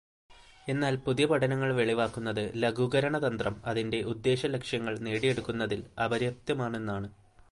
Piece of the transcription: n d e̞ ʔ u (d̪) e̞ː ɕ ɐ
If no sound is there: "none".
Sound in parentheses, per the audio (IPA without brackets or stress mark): d̪ː